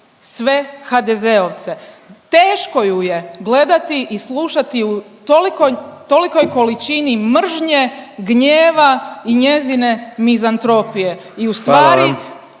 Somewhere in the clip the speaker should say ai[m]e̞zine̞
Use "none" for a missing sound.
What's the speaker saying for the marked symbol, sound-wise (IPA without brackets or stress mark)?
ɲ